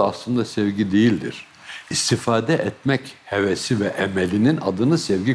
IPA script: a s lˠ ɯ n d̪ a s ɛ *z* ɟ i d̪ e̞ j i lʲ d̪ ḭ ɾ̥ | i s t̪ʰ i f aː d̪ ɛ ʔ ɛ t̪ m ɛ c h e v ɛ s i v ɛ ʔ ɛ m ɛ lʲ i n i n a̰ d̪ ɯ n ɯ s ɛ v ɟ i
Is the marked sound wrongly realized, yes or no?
yes